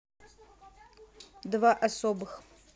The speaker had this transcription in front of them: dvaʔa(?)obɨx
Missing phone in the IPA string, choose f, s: s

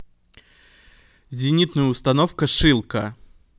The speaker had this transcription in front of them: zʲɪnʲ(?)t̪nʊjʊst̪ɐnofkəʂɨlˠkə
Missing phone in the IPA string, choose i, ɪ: i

